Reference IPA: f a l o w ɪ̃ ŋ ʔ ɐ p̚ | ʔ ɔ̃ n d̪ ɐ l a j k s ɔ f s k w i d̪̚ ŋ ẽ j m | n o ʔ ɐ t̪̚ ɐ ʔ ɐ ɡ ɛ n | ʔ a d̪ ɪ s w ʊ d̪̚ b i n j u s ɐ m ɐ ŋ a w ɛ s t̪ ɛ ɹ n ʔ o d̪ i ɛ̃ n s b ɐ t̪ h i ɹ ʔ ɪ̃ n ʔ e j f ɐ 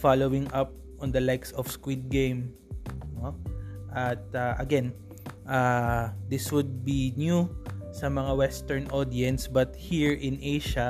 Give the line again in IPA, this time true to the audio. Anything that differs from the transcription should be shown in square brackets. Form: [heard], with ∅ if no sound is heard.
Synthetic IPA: f a l o w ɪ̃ ŋ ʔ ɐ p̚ | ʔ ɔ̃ n d̪ ɐ l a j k s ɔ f s k w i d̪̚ [ɡ] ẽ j m | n o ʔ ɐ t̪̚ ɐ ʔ ɐ ɡ ɛ n | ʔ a d̪ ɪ s w ʊ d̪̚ b i n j u s ɐ m ɐ ŋ a w ɛ s t̪ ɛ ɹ n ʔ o d̪ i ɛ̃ n s b ɐ t̪ h i ɹ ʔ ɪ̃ n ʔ e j [ʃ] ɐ